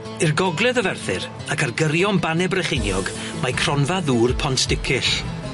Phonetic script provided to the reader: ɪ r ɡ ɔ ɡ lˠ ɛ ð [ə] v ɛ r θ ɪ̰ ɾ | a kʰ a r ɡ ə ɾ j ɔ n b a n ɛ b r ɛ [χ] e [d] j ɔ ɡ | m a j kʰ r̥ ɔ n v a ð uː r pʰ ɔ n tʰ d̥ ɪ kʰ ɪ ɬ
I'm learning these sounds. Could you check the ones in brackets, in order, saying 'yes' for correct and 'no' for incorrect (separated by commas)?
yes, yes, no